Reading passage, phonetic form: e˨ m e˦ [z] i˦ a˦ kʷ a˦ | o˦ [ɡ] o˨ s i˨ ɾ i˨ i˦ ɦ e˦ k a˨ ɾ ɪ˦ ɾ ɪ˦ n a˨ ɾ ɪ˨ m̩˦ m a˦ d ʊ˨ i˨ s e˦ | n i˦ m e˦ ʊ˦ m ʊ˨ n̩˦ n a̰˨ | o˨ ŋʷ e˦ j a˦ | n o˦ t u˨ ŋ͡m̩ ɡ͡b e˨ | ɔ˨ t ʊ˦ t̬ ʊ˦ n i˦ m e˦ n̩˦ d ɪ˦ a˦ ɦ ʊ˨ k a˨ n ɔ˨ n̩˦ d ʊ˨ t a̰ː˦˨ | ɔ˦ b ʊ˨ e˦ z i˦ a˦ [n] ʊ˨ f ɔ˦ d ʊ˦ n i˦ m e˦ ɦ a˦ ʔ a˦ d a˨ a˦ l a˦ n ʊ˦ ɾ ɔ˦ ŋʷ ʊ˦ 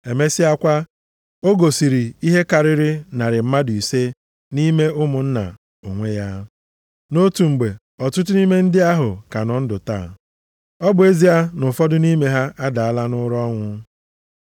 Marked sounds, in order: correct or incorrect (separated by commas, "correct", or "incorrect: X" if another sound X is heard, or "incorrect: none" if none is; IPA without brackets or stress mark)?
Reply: incorrect: s, correct, correct